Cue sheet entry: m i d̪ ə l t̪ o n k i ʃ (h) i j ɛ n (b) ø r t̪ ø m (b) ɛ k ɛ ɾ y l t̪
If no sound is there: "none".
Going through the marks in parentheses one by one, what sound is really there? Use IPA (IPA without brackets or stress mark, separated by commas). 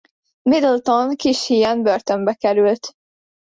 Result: h, b, b